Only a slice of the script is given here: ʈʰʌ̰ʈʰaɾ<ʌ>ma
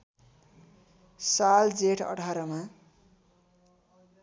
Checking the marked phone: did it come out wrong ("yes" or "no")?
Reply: no